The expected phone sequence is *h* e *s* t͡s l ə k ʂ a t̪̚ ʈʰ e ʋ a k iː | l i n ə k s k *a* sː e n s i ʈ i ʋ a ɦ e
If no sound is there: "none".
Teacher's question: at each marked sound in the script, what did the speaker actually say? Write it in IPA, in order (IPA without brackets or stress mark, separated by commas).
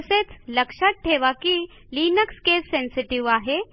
s, none, e